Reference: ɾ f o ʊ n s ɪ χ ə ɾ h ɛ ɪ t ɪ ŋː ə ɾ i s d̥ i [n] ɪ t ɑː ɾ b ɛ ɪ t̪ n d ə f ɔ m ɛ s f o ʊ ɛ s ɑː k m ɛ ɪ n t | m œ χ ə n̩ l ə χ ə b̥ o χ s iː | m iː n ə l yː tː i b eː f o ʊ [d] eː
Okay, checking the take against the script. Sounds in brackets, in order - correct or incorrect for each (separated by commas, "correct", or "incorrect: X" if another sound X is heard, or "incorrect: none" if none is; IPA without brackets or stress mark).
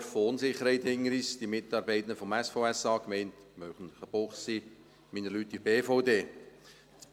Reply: incorrect: m, correct